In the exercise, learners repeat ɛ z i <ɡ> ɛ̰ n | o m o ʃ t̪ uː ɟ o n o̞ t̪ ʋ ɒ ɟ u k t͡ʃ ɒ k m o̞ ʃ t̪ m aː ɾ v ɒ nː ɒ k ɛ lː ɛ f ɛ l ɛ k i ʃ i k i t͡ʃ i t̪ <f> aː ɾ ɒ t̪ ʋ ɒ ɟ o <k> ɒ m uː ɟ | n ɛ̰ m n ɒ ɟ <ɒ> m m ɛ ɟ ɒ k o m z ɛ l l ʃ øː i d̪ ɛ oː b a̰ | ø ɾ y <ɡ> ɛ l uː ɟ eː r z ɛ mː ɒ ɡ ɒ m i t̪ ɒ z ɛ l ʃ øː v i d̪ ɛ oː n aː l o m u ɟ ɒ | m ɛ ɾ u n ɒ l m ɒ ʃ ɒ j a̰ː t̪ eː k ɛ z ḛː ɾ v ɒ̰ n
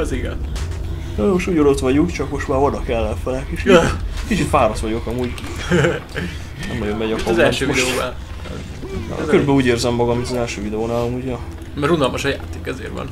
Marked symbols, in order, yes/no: yes, yes, yes, no, no

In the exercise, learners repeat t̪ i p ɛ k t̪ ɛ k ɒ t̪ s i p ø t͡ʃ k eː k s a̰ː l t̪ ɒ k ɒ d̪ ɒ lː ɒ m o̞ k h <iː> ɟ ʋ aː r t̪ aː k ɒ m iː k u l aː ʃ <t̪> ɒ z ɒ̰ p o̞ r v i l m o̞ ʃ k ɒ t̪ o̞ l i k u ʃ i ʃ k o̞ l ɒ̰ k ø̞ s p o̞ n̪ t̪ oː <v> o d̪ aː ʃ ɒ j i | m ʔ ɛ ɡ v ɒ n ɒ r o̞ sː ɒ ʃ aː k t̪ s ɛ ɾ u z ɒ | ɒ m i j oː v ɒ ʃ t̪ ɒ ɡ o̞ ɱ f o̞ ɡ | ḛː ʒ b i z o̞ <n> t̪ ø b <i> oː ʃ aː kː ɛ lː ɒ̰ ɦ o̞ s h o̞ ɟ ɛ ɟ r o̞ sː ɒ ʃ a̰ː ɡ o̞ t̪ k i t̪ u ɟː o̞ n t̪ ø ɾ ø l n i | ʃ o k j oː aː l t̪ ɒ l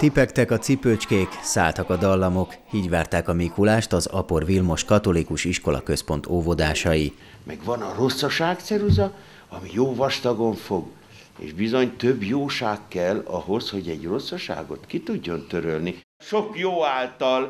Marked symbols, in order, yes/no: yes, yes, yes, no, no

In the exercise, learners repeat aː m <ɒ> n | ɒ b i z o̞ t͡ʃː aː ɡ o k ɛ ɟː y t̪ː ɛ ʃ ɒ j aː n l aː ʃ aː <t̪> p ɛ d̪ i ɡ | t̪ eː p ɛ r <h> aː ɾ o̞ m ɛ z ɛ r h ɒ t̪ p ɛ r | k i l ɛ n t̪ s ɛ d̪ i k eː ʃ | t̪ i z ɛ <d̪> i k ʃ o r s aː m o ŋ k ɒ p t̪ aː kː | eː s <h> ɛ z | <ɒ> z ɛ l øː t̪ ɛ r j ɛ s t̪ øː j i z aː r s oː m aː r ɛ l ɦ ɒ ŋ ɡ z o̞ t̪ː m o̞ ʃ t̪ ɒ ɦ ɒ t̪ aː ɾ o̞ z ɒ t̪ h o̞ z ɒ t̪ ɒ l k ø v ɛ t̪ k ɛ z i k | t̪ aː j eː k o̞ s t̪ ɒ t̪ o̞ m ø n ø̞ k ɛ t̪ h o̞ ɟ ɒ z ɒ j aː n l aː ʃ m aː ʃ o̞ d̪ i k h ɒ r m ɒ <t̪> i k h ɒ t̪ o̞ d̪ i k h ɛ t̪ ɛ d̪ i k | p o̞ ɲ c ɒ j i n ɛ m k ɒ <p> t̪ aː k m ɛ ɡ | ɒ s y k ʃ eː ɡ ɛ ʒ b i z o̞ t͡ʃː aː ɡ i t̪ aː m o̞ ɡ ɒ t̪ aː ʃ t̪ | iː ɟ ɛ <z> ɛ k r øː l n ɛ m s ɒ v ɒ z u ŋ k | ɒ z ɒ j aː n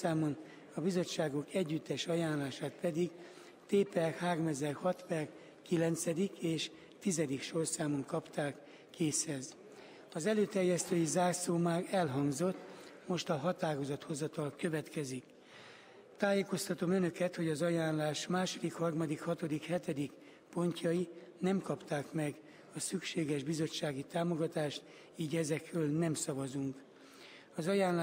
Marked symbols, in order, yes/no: no, yes, yes, yes, yes, yes, no, yes, yes

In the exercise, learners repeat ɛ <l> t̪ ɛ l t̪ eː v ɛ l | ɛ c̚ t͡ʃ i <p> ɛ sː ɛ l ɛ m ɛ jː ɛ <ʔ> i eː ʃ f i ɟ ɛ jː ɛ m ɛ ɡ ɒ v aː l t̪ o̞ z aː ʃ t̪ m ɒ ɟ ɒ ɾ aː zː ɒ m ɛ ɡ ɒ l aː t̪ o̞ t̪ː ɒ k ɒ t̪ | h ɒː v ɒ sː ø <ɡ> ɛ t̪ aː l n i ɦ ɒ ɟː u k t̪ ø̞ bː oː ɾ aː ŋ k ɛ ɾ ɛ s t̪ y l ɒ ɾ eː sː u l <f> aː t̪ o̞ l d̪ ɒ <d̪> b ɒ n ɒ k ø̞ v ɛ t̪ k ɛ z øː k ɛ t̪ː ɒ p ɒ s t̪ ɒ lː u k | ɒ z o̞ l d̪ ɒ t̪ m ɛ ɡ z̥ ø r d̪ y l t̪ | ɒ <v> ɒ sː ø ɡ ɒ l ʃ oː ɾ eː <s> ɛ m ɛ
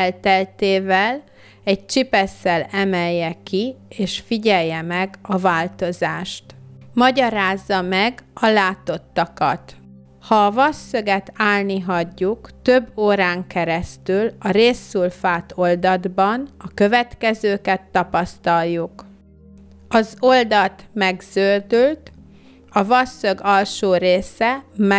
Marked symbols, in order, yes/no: yes, yes, no, yes, yes, yes, yes, yes

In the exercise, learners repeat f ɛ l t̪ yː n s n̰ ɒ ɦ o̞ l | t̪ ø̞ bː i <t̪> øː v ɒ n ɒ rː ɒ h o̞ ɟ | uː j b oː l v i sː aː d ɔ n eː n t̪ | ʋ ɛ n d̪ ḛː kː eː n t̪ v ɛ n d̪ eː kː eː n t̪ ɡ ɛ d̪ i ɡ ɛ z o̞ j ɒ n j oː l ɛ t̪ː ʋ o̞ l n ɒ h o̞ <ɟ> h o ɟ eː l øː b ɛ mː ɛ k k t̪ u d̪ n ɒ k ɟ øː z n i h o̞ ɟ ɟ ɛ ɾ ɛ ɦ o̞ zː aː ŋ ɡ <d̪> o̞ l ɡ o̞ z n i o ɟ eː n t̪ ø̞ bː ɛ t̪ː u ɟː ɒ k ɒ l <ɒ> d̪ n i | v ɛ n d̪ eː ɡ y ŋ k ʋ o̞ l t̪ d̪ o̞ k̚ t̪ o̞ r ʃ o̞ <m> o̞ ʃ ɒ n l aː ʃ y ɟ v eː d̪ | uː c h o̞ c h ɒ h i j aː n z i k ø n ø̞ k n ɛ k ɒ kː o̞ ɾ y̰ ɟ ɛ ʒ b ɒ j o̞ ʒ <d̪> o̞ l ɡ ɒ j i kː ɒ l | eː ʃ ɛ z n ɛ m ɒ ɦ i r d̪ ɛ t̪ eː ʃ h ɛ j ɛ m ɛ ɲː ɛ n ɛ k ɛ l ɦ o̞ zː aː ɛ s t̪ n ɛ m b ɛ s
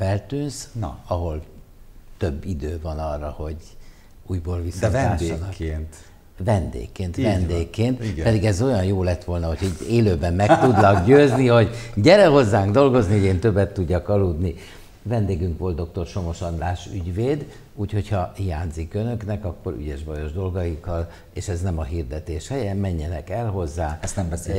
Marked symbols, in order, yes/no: no, no, yes, no, yes, yes

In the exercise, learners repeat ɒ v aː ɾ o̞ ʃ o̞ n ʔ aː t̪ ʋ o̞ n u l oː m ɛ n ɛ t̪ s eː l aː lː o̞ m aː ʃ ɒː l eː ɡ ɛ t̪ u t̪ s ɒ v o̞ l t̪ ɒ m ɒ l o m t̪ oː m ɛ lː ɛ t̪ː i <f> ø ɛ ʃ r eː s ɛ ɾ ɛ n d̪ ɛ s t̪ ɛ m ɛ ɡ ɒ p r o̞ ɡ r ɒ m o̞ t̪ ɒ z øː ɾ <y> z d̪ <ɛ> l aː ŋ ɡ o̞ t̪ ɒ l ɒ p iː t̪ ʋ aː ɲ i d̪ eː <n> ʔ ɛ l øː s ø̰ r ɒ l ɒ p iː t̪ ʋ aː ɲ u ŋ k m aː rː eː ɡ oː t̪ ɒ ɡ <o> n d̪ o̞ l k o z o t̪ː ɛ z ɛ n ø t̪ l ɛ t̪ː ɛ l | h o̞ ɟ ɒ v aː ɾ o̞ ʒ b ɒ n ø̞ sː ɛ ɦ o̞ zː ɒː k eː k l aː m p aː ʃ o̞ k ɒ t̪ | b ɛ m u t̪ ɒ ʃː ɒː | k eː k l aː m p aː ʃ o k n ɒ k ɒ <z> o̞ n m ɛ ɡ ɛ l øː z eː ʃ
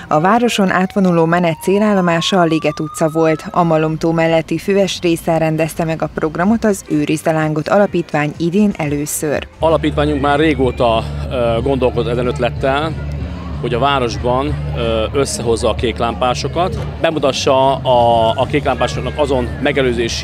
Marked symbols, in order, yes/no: yes, no, yes, yes, yes, yes

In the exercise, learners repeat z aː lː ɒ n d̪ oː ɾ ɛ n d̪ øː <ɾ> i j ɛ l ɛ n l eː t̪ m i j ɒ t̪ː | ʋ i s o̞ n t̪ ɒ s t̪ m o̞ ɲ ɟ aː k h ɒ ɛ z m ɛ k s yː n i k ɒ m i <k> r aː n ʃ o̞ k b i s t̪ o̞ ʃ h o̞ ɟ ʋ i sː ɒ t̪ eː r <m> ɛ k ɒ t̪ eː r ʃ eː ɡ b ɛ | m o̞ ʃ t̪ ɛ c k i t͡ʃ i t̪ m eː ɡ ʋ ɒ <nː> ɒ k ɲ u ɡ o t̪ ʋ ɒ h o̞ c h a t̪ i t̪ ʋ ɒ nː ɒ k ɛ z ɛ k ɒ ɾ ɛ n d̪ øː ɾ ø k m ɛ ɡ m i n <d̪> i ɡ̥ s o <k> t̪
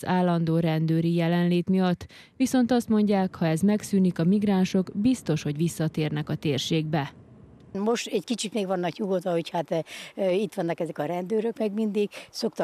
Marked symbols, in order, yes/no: yes, no, no, yes, yes, yes

